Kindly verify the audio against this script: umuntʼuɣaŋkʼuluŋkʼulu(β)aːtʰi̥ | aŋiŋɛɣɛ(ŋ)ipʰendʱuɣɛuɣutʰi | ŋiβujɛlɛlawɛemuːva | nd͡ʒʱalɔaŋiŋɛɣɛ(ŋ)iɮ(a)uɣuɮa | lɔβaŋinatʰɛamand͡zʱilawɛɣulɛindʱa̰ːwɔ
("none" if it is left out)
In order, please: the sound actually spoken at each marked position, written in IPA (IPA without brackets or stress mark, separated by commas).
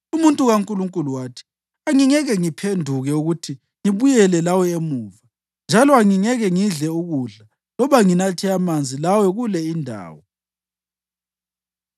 w, ŋ, ŋ, ɛ